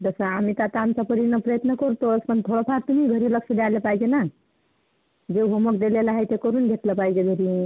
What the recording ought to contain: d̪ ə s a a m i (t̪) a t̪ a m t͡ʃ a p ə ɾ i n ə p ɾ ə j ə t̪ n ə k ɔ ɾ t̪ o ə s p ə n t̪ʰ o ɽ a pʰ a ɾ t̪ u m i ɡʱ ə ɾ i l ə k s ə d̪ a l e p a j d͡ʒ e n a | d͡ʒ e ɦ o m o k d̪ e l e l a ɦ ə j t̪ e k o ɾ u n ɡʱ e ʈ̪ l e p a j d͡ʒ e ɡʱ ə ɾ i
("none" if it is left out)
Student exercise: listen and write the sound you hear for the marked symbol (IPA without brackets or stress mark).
t̪